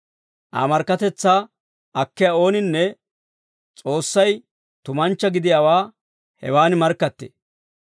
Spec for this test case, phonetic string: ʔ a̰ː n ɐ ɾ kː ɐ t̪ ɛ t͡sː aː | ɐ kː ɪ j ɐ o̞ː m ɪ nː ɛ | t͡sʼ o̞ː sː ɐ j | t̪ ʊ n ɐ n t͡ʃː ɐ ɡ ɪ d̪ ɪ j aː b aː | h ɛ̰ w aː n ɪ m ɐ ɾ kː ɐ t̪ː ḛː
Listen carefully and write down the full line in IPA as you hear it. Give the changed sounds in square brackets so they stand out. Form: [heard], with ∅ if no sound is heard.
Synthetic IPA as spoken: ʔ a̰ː [m] ɐ ɾ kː ɐ t̪ ɛ t͡sː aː | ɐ kː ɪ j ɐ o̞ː [n] ɪ nː ɛ | t͡sʼ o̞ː sː ɐ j | t̪ ʊ [m] ɐ n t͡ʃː ɐ ɡ ɪ d̪ ɪ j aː [w] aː | h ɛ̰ w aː n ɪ m ɐ ɾ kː ɐ t̪ː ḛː